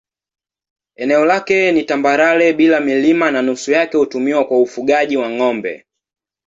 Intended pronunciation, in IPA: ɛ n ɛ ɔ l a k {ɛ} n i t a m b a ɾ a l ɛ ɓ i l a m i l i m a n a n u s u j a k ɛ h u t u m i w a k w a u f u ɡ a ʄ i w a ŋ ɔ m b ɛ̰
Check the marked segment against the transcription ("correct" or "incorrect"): correct